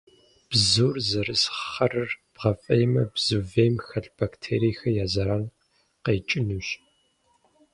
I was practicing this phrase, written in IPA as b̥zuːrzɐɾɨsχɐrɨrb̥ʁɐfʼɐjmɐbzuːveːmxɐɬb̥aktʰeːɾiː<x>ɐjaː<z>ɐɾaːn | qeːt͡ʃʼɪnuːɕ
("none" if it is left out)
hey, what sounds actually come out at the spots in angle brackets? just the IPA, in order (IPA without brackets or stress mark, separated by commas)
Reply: x, z